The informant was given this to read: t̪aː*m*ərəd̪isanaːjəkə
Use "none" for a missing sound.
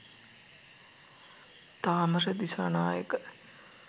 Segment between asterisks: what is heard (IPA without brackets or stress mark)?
m